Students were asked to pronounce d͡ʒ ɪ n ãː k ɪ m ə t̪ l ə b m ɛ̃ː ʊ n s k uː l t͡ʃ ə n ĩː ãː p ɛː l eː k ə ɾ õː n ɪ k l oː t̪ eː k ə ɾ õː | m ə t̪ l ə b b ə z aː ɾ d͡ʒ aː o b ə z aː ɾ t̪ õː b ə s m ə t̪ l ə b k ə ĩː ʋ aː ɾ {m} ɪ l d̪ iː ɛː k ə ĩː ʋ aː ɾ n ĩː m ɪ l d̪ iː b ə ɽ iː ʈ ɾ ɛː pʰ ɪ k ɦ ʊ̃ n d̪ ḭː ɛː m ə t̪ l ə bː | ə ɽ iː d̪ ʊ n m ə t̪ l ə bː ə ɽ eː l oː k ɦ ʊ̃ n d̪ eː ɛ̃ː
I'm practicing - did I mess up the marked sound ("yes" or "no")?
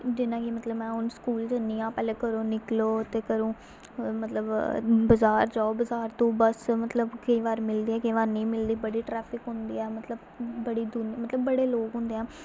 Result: no